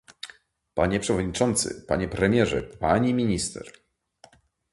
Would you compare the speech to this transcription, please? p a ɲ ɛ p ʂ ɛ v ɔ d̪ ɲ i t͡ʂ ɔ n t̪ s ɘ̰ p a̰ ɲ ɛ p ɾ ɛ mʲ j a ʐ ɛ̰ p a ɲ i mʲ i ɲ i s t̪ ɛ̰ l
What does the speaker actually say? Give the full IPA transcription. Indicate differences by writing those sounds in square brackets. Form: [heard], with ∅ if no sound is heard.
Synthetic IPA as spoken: p a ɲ ɛ p ʂ ɛ v ɔ d̪ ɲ i t͡ʂ ɔ n t̪ s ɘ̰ p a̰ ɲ ɛ p ɾ ɛ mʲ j [ɛ] ʐ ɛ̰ p a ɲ i mʲ i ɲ i s t̪ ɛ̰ [ɾ]